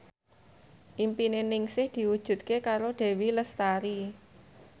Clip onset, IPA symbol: ʔ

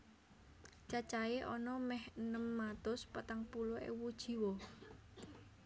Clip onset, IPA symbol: t͡ʃ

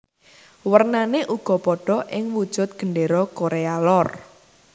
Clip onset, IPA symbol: w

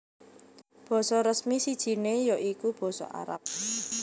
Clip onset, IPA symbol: b̥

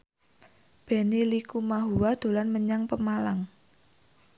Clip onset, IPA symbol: b̥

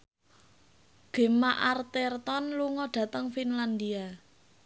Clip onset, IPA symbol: ɡ̥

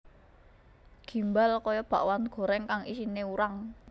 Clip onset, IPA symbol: ɡ̥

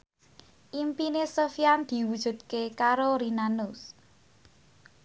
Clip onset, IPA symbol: ʔ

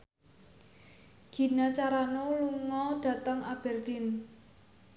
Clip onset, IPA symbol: ɡ̥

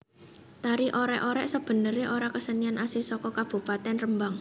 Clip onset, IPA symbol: t̪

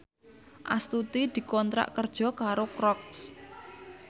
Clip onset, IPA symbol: ʔ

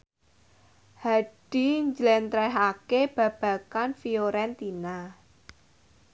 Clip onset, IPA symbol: h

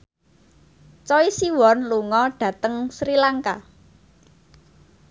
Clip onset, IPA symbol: t͡ʃ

